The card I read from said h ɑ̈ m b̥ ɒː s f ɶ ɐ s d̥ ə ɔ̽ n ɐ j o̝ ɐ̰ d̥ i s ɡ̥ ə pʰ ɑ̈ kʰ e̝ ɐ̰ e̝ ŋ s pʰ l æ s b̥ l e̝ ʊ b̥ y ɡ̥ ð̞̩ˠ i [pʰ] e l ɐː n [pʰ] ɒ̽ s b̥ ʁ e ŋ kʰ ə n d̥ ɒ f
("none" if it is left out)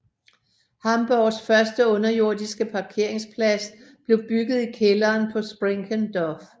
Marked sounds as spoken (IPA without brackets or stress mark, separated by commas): kʰ, pʰ